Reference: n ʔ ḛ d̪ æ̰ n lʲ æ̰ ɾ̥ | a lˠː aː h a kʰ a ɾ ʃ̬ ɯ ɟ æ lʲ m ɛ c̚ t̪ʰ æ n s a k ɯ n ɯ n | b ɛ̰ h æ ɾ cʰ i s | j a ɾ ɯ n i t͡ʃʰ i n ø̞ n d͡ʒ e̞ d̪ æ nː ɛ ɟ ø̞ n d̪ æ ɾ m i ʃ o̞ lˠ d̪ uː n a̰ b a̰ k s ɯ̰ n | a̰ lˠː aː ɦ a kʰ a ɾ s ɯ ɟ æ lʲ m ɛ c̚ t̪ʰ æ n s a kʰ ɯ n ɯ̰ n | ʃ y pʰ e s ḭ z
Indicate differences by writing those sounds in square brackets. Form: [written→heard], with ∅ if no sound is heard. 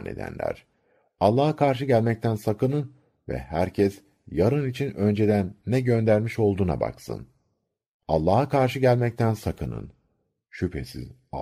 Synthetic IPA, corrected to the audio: n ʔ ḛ d̪ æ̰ n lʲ æ̰ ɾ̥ | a lˠː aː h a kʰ a ɾ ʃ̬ ɯ ɟ æ lʲ m ɛ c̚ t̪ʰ æ n s a k ɯ n ɯ n | [b→v] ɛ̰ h æ ɾ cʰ [i→ɛ] s | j a ɾ ɯ n i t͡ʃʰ i n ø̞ n d͡ʒ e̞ d̪ æ nː ɛ ɟ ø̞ n d̪ æ ɾ m i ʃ o̞ lˠ d̪ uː n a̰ b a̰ k s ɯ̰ n | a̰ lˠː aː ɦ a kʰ a ɾ [s→ʃ] ɯ ɟ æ lʲ m ɛ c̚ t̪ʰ æ n s a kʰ ɯ n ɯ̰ n | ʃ y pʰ e s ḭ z